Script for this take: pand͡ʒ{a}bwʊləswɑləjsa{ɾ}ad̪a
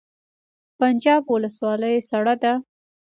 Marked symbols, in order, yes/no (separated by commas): no, no